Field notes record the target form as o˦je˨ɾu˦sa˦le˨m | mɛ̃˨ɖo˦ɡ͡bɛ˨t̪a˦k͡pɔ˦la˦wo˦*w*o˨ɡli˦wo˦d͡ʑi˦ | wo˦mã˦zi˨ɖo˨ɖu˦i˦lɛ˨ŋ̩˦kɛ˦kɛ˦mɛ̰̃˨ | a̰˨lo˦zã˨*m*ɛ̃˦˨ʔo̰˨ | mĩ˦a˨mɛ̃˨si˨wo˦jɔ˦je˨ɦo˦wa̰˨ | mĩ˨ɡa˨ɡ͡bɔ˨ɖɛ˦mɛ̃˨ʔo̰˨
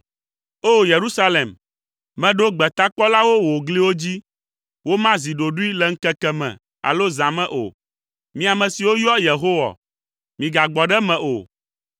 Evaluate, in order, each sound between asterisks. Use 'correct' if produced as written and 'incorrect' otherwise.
correct, correct

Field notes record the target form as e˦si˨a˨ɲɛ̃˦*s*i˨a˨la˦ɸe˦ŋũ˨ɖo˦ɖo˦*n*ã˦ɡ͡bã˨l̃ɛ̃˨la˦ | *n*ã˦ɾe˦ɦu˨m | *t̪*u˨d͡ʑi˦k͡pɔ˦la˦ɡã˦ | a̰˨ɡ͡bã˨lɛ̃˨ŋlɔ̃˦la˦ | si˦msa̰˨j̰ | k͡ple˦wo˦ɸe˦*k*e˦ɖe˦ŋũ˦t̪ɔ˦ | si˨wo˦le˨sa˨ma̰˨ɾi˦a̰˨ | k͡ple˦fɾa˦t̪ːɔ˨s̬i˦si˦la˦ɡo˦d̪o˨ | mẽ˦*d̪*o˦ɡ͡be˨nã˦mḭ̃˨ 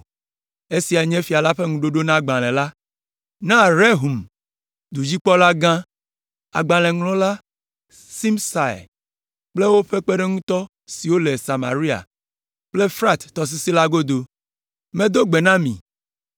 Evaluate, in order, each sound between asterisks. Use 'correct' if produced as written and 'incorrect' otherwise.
incorrect: f, correct, correct, incorrect: d̪, incorrect: k͡p, correct

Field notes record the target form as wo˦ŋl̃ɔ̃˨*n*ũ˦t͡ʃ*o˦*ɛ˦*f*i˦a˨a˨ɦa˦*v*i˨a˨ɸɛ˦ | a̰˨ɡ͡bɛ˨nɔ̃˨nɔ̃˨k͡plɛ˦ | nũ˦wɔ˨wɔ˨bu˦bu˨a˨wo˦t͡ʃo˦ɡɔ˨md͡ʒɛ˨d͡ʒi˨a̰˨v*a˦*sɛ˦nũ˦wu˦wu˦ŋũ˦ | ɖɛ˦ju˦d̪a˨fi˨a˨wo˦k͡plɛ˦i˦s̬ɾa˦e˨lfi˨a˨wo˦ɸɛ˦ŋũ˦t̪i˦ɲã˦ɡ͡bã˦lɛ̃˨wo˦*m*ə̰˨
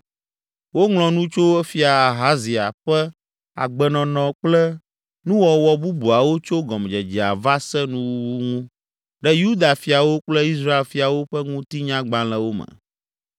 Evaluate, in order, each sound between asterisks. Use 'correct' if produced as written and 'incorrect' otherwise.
correct, correct, correct, incorrect: z, correct, correct

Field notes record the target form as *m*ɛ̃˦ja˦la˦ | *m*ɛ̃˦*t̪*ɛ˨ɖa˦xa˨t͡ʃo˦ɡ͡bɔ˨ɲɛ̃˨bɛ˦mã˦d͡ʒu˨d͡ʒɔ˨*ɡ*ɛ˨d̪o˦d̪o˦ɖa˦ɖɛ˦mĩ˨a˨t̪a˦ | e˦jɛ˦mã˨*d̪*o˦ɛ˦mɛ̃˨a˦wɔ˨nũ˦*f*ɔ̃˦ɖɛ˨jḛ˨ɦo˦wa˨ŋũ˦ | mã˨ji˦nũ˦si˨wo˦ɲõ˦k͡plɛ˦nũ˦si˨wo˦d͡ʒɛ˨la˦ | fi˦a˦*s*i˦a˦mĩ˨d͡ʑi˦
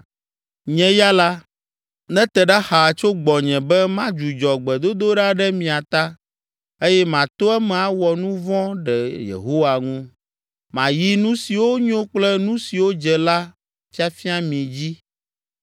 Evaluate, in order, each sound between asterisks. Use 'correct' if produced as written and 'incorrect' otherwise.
incorrect: ɲ, incorrect: n, correct, incorrect: ɡ͡b, incorrect: t̪, incorrect: v, incorrect: f

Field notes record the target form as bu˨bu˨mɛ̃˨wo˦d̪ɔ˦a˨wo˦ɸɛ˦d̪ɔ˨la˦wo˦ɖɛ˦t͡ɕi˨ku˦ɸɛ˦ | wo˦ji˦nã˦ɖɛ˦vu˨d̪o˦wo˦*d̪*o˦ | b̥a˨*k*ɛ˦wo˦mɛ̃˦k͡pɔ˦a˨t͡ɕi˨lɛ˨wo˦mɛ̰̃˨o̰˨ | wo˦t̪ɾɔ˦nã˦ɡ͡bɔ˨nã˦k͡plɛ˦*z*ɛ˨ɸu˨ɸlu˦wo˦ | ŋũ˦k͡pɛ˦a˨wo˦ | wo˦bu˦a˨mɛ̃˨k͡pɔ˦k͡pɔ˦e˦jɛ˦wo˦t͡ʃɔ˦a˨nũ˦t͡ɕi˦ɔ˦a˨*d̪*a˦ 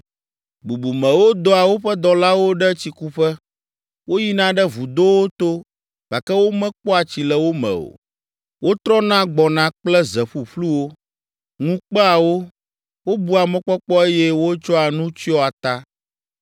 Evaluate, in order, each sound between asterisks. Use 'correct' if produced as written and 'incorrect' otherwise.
incorrect: t̪, correct, correct, incorrect: t̪

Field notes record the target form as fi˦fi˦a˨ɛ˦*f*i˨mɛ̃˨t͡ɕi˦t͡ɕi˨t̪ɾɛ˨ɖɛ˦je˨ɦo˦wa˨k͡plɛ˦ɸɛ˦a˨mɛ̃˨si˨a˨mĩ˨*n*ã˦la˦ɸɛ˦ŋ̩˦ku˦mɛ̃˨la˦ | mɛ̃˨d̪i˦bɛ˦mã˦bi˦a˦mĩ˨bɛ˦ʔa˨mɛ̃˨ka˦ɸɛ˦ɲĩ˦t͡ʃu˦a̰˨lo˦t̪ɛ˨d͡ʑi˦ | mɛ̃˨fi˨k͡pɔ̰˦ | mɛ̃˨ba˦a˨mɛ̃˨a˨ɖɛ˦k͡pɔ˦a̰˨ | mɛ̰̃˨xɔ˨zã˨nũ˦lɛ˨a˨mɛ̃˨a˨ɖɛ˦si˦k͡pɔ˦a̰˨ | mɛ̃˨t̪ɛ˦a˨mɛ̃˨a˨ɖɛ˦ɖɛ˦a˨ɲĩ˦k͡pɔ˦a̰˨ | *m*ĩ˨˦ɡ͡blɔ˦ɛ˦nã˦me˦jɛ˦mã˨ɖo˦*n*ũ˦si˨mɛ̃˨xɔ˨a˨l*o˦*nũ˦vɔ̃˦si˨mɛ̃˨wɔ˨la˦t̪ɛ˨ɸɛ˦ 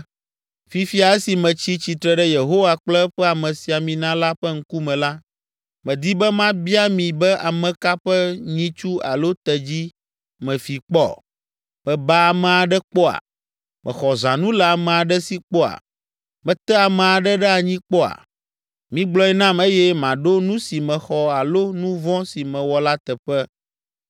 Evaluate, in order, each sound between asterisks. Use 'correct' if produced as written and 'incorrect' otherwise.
incorrect: s, correct, correct, correct, correct

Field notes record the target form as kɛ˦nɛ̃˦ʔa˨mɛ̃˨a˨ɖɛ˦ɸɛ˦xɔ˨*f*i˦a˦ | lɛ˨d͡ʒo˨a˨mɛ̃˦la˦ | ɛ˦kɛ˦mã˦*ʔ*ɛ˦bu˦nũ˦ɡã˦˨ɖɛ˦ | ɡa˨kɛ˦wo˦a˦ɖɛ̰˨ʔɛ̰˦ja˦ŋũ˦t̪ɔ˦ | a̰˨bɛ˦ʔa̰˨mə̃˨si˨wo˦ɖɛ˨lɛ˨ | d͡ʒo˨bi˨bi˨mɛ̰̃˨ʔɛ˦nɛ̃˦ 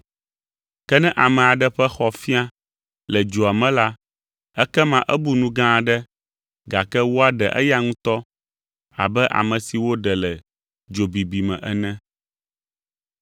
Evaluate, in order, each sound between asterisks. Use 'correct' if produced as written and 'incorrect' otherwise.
correct, correct

